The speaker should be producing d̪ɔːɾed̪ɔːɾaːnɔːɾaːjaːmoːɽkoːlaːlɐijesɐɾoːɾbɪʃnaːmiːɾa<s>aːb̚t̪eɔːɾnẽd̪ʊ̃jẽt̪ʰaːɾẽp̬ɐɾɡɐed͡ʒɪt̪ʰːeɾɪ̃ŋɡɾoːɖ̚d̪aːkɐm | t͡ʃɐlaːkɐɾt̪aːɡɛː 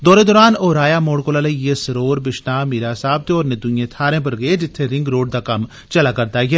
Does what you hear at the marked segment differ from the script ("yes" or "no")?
no